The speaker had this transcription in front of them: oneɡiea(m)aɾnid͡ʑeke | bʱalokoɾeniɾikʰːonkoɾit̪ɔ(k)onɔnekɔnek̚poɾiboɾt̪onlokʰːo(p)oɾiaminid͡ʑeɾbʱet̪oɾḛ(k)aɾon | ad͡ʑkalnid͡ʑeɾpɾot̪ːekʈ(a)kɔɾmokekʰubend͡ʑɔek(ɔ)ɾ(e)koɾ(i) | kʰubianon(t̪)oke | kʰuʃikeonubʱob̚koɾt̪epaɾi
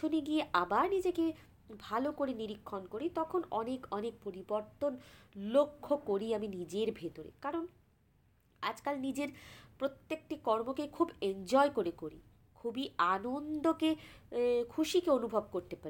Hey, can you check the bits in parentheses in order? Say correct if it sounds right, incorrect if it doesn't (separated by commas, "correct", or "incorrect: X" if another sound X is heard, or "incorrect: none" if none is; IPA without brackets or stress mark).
incorrect: b, incorrect: kʰ, incorrect: k, correct, incorrect: i, incorrect: o, correct, correct, incorrect: d̪